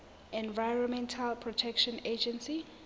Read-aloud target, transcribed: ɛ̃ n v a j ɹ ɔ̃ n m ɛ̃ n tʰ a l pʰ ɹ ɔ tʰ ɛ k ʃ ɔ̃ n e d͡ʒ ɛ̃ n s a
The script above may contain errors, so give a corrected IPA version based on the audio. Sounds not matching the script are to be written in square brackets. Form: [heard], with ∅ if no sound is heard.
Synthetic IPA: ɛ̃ n v a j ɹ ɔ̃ n m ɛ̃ n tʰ a l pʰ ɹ ɔ tʰ ɛ k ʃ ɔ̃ n e d͡ʒ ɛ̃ n s [i]